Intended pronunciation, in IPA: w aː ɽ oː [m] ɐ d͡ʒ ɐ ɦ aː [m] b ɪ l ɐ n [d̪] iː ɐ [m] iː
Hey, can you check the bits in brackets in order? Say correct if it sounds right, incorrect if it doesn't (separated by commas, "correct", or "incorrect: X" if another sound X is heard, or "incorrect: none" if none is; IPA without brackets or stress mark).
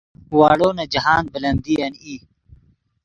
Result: incorrect: n, incorrect: n, correct, incorrect: n